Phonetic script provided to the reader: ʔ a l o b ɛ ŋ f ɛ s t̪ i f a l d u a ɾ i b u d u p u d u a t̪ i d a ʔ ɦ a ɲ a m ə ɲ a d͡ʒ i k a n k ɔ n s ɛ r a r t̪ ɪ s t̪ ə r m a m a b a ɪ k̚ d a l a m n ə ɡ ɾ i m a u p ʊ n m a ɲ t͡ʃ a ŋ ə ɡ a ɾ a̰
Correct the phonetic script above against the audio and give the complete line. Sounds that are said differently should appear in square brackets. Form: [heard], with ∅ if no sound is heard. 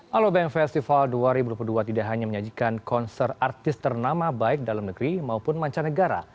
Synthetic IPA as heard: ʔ a l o b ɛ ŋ f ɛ s t̪ i f a l d u a ɾ i b u d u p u d u a t̪ i d a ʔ ɦ a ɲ a m ə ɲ a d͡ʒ i k a n k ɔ n s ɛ r a r t̪ ɪ s t̪ ə r [n] a m a b a ɪ k̚ d a l a m n ə ɡ ɾ i m a u p ʊ n m a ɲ t͡ʃ a [n] ə ɡ a ɾ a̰

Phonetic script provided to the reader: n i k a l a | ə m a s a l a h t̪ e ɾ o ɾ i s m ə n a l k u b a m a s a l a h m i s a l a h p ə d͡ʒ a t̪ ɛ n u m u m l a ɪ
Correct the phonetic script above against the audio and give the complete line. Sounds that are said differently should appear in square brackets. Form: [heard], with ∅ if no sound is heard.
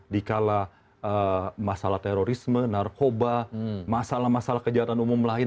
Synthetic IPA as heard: [d] i k a l a | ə m a s a l a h t̪ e ɾ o ɾ i s m ə n a [r] k [o] b a m a s a l a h m [a] s a l a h [k] ə d͡ʒ a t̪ [a] n u m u m l a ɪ

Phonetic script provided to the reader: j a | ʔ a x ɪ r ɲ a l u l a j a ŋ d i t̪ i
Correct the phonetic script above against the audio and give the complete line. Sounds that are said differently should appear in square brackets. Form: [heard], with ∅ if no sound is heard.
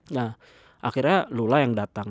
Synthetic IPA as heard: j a | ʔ a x [i] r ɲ a l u l a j a ŋ d [a] t̪ [a]

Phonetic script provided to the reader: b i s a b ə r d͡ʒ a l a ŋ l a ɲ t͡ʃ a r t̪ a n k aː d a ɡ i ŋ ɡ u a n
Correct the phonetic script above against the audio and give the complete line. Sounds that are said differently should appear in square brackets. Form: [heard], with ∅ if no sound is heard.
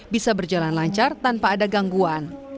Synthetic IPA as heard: b i s a b ə r d͡ʒ a l a [n] l a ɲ t͡ʃ a r t̪ a n [p] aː d a ɡ [a] ŋ ɡ u a n

